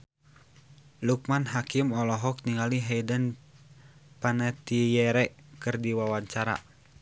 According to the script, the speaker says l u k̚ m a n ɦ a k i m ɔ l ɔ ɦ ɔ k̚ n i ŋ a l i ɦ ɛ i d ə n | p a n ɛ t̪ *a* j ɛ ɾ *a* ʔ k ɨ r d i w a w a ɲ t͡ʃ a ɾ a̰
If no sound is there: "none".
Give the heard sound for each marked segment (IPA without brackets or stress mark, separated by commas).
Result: i, ɛ